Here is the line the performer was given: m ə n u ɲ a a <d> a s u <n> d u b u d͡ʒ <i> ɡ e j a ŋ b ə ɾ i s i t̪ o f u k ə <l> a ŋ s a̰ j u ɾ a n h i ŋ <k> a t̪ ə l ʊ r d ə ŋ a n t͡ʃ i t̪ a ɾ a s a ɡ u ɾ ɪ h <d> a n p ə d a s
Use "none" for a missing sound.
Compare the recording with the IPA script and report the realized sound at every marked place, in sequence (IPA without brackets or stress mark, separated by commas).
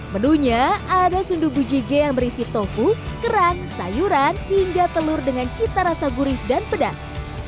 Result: d, n, i, ɾ, ɡ, d